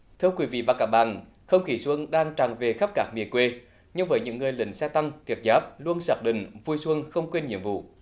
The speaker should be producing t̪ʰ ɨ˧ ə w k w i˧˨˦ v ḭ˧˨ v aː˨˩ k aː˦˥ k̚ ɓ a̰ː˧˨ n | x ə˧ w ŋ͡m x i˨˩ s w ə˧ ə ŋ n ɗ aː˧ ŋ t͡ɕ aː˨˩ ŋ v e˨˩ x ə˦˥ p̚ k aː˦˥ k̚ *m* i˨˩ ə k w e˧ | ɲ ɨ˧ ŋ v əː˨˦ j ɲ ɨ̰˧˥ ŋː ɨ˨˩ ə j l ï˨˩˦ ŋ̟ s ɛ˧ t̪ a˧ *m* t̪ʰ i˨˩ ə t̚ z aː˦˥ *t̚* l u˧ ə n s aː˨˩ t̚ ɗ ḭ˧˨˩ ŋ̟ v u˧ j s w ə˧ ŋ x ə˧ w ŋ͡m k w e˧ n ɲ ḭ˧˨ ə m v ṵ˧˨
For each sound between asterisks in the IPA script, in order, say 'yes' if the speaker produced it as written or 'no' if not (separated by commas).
yes, no, no